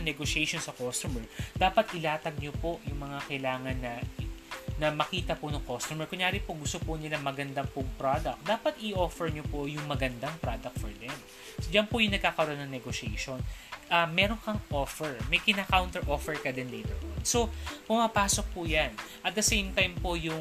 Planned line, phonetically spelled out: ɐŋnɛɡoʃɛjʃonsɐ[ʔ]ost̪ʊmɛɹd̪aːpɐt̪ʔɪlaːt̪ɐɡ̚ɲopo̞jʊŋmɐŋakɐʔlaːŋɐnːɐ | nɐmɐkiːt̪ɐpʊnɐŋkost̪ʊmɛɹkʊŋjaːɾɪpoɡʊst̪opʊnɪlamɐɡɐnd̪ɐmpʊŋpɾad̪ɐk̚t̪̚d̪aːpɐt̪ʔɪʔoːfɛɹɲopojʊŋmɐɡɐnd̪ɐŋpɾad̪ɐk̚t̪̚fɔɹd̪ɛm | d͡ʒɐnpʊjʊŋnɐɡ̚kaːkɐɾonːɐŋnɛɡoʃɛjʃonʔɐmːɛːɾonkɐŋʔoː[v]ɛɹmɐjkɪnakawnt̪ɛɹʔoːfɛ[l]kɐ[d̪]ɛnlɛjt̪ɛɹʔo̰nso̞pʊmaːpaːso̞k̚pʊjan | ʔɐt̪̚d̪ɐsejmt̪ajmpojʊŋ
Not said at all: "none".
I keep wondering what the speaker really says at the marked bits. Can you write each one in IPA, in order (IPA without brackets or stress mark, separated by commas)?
k, f, ɹ, d̪